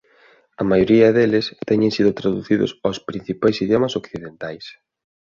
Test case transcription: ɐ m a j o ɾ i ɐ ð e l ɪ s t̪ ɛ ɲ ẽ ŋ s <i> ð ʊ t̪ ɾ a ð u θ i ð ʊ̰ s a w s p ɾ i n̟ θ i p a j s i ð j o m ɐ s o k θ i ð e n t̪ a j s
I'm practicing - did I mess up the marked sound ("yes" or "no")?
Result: no